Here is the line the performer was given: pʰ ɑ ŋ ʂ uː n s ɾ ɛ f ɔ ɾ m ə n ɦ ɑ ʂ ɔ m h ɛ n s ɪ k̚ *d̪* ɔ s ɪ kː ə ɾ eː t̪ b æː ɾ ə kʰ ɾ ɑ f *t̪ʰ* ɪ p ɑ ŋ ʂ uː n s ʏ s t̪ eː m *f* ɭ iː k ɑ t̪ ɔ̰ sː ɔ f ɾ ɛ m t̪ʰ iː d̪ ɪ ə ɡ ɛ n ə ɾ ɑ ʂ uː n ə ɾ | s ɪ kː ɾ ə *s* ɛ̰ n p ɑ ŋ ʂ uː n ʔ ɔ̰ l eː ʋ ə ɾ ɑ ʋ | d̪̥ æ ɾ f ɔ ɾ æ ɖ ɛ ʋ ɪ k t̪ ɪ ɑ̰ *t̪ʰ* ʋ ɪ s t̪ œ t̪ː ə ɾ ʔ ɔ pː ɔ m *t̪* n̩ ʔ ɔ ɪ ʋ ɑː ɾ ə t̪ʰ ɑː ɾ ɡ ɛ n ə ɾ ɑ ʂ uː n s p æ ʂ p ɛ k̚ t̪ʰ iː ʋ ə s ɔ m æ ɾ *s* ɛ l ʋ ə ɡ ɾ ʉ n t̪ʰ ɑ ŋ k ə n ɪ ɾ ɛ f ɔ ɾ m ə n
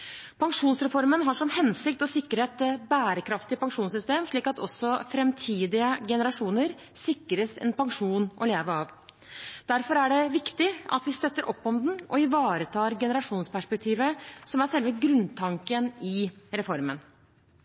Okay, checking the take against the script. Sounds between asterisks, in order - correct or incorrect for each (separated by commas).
incorrect, incorrect, incorrect, correct, incorrect, incorrect, incorrect